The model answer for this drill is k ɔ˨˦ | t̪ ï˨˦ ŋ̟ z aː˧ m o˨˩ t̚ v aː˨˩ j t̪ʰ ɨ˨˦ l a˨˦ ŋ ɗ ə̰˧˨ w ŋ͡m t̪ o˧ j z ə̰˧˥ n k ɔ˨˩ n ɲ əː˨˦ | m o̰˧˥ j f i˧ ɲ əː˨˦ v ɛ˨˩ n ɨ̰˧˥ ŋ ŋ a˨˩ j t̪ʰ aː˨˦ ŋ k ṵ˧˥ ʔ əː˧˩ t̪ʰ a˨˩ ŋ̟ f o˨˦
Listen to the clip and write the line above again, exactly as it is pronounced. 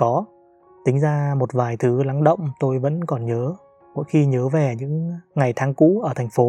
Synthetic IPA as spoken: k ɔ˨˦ | t̪ ï˨˦ ŋ̟ z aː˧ m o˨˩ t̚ v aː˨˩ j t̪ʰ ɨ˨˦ l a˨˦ ŋ ɗ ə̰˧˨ w ŋ͡m t̪ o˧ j v ə̰˧˥ n k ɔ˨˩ n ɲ əː˨˦ | m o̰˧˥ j x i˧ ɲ əː˨˦ v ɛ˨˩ ɲ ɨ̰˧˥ ŋ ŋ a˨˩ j t̪ʰ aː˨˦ ŋ k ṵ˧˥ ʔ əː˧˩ t̪ʰ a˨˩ ŋ̟ f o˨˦